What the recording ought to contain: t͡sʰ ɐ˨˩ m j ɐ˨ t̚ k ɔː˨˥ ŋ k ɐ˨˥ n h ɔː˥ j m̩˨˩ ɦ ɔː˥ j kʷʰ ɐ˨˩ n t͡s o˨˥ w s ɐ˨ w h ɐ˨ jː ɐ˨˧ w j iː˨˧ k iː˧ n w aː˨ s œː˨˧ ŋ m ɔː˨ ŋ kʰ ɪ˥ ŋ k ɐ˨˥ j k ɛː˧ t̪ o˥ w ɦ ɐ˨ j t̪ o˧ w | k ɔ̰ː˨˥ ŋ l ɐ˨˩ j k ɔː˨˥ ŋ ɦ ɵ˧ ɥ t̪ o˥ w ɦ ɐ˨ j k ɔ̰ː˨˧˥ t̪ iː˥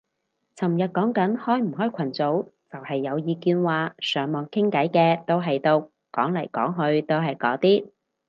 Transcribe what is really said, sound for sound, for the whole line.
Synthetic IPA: t͡sʰ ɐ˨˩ m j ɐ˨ t̚ k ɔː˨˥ ŋ k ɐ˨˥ n h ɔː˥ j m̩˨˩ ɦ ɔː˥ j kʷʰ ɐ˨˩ n t͡s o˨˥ w t͡s ɐ˨ w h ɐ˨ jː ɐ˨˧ w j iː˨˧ k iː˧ n w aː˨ s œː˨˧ ŋ m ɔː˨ ŋ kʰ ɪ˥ ŋ k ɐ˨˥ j k ɛː˧ t̪ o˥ w ɦ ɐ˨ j t̪ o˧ w | k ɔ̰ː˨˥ ŋ l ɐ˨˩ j k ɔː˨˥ ŋ ɦ ɵ˧ ɥ t̪ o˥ w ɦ ɐ˨ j k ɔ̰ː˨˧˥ t̪ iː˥